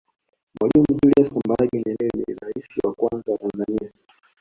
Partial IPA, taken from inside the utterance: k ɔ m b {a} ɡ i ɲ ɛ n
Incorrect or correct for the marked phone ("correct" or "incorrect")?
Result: correct